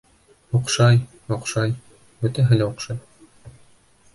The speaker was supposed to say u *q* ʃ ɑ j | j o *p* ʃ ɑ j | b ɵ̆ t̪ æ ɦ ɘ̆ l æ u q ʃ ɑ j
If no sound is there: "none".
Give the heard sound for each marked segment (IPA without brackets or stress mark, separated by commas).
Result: q, q